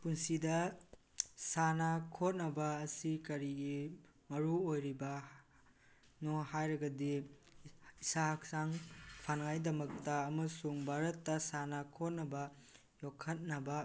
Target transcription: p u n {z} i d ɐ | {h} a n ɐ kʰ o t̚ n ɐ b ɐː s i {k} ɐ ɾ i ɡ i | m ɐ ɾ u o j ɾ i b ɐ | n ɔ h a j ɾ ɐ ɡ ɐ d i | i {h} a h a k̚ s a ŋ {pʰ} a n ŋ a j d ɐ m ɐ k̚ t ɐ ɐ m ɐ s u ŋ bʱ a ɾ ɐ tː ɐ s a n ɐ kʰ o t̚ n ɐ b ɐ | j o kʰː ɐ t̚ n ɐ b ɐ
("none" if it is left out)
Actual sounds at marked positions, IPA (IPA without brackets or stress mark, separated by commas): s, s, k, s, pʰ